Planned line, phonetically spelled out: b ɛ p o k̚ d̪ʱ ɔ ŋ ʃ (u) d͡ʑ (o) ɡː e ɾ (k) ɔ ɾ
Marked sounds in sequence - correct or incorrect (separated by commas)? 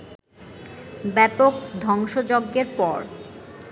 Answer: incorrect, correct, incorrect